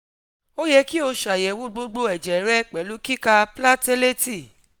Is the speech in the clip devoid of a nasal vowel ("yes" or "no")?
yes